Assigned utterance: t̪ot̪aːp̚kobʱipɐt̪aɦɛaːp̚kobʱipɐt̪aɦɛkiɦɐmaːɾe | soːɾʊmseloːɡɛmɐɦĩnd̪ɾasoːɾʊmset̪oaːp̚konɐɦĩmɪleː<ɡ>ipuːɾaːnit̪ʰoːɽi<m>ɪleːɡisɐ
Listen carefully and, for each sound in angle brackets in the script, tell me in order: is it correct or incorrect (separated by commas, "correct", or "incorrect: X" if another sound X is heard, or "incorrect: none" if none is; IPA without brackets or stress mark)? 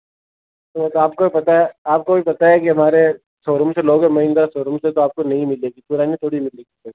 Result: correct, correct